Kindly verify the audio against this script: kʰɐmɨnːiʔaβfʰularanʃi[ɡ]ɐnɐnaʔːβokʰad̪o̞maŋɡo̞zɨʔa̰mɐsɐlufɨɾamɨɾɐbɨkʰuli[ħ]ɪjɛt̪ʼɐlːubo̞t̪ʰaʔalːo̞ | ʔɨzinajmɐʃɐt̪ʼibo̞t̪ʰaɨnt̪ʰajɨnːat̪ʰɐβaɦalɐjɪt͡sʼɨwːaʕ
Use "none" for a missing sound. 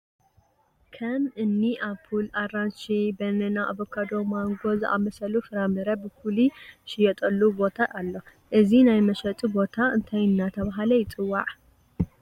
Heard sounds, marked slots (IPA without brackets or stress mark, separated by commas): b, ʃ